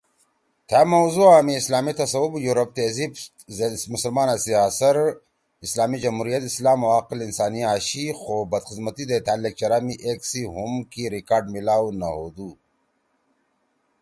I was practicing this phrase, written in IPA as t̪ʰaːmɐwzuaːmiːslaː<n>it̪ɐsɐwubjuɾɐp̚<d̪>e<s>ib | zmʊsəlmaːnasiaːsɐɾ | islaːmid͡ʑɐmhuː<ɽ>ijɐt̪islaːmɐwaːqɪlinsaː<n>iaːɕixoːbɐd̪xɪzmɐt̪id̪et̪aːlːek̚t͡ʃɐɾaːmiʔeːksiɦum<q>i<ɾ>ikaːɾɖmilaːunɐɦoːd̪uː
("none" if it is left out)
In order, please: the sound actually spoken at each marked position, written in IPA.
m, t̪, z, ɾ, n, k, ɾ

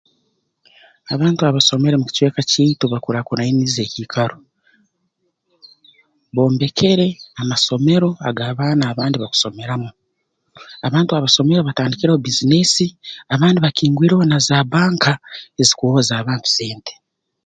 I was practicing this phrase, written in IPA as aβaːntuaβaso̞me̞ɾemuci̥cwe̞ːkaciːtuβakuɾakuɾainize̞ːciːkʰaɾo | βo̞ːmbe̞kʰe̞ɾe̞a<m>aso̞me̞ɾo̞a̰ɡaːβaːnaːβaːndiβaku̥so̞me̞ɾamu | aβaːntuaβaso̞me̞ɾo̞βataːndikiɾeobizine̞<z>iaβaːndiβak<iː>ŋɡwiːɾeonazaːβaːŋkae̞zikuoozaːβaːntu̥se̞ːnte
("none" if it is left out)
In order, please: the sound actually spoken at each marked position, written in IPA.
m, s, iː

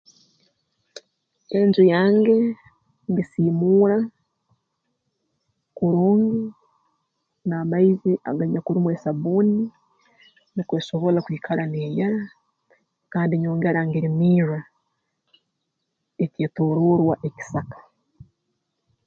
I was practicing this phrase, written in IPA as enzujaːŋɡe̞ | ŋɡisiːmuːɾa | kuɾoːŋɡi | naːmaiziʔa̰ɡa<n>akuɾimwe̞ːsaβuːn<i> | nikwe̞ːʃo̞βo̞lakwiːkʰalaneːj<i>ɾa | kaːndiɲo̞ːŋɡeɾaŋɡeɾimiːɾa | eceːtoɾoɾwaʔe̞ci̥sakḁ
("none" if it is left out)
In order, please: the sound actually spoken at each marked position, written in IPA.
ɲ, i, a

